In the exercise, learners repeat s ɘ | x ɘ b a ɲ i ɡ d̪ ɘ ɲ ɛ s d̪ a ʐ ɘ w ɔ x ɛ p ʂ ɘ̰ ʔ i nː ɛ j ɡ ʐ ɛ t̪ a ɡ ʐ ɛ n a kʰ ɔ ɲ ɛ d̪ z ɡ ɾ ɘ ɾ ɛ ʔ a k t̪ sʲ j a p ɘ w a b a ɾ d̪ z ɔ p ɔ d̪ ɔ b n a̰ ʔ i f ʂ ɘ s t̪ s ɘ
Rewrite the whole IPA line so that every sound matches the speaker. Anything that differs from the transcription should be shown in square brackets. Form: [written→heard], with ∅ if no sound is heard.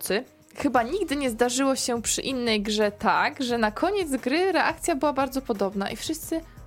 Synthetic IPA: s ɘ | x ɘ b a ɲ i ɡ d̪ ɘ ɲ ɛ [s→z] d̪ a ʐ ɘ w ɔ [x→ɕ] ɛ p ʂ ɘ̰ ʔ i nː ɛ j ɡ ʐ ɛ t̪ a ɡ ʐ ɛ n a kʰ ɔ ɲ ɛ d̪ z ɡ ɾ ɘ ɾ ɛ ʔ a k t̪ sʲ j a [p→b] ɘ w a b a ɾ d̪ z ɔ p ɔ d̪ ɔ b n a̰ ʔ i f ʂ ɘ s t̪ s ɘ